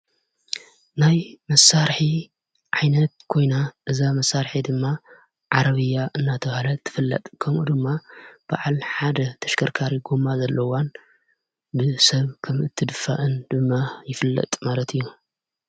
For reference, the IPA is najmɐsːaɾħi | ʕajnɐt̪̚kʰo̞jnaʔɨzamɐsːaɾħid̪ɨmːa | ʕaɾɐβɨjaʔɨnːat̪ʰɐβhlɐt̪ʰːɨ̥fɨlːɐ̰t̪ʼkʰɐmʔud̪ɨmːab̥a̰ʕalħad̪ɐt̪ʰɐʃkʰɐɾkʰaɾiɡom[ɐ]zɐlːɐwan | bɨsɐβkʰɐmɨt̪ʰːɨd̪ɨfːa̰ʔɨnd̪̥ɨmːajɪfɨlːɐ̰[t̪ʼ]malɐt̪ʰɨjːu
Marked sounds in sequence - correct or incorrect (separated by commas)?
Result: incorrect, correct